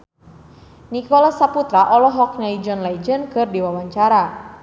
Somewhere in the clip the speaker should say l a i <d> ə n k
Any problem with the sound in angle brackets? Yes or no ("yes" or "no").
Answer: yes